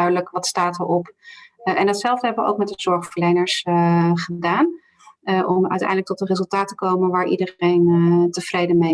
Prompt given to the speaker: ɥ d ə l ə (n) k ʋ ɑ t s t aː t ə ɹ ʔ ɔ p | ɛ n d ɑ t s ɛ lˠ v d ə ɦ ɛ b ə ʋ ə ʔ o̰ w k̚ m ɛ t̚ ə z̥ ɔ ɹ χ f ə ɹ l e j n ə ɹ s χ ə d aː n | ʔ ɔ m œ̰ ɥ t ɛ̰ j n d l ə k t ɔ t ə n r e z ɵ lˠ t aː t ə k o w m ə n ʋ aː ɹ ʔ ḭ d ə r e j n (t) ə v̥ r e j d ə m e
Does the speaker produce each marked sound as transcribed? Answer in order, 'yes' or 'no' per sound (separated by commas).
no, yes